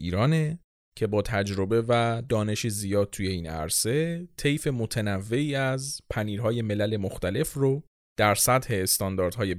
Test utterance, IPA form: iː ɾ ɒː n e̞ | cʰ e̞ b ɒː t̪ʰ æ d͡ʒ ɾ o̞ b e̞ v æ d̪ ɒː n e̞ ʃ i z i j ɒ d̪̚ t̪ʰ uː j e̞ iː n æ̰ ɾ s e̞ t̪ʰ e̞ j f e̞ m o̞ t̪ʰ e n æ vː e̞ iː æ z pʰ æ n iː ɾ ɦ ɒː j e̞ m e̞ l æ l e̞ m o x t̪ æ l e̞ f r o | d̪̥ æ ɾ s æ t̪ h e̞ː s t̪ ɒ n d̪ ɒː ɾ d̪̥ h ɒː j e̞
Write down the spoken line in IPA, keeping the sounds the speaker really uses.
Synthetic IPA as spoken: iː ɾ ɒː n e̞ | cʰ e̞ b ɒː t̪ʰ æ d͡ʒ ɾ o̞ b e̞ v æ d̪ ɒː n e̞ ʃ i z i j ɒː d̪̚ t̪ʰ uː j e̞ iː n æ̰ ɾ s e̞ t̪ʰ e̞ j f e̞ m o̞ t̪ʰ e n æ vː e̞ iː æ z pʰ æ n iː ɾ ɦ ɒː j e̞ m e̞ l æ l e̞ m o x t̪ æ l e̞ f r o | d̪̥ æ ɾ s æ t̪ h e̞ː s t̪ ɒ n d̪ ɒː ɾ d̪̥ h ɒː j e̞